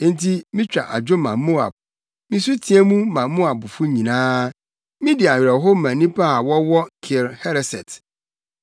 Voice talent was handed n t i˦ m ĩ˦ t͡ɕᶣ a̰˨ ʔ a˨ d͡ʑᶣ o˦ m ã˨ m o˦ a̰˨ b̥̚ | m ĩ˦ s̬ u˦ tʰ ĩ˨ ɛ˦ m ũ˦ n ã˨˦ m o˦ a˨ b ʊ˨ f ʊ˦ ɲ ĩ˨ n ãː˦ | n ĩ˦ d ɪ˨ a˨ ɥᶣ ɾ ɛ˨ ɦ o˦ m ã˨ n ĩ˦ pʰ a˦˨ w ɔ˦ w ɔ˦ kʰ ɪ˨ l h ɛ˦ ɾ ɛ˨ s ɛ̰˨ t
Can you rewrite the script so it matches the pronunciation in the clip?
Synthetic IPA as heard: n t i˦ m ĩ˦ t͡ɕᶣ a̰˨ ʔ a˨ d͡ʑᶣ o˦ m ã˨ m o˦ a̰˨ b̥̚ | m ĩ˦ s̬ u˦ tʰ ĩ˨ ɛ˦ m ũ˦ m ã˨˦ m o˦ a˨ b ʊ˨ f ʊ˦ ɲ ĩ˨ n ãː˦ | m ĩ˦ d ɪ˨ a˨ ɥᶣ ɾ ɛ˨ ɦ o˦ m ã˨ n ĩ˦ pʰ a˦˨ w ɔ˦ w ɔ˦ kʰ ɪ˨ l h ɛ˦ ɾ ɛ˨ s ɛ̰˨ t